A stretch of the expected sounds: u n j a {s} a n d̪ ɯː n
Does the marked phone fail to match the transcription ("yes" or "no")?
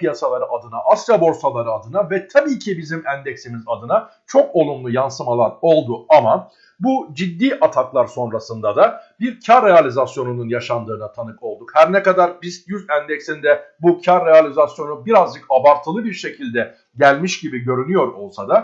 yes